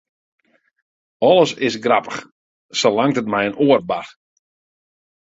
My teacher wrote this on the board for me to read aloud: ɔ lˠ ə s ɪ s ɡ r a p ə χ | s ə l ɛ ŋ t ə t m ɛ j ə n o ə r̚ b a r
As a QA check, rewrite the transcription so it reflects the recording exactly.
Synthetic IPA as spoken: ɔ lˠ ə s ɪ s ɡ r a p ə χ | s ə l a ŋ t ə t m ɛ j ə n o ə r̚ b a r